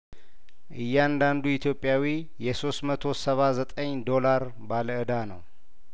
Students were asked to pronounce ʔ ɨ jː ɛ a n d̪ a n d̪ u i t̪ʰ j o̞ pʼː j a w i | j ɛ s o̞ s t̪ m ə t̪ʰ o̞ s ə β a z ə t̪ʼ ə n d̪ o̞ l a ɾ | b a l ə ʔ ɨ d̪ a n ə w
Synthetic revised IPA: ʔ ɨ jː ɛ a n d̪ a n d̪ u i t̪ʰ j o̞ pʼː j a w i | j ɛ s o̞ s t̪ m ə t̪ʰ o̞ s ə β a z ə t̪ʼ ə ɲ d̪ o̞ l a ɾ | b a l ə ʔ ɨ d̪ a n ə w